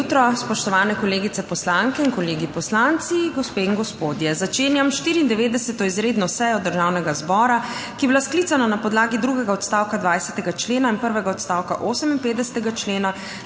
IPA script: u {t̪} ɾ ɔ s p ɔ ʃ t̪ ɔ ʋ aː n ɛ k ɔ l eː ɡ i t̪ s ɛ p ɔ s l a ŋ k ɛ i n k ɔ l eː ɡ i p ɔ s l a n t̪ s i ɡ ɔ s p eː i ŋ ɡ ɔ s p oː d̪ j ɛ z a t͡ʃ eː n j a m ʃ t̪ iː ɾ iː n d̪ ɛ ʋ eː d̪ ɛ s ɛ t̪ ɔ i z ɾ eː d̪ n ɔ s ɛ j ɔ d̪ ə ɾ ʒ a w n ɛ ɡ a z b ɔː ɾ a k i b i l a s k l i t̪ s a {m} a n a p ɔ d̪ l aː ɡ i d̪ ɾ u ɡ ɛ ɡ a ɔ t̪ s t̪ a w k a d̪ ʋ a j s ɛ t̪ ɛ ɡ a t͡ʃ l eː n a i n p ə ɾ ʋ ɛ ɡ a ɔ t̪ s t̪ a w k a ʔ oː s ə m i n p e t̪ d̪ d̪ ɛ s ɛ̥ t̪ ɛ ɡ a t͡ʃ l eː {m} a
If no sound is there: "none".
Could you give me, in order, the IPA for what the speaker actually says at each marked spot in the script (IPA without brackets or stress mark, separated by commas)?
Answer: t̪, n, n